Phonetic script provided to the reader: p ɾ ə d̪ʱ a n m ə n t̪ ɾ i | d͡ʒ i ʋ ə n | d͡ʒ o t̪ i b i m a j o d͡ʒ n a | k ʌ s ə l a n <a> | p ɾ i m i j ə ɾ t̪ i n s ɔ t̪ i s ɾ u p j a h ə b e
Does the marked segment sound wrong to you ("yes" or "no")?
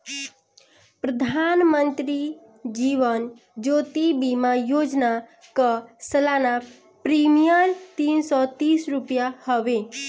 no